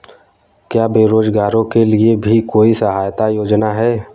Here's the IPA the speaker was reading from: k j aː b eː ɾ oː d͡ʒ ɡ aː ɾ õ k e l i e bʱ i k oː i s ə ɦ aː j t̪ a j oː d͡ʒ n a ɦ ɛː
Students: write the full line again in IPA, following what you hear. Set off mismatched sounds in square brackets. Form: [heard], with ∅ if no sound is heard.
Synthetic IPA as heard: k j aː b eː ɾ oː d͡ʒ ɡ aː ɾ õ k e l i e bʱ i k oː i s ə ɦ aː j t̪ a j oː d͡ʒ n a ɦ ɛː